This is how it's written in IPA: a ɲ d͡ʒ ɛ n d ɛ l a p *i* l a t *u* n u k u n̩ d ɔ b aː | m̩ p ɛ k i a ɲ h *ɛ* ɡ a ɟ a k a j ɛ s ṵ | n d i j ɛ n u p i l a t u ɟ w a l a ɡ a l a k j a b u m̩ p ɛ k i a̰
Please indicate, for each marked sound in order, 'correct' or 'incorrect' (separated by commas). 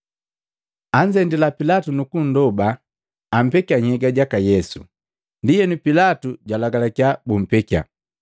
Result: correct, correct, correct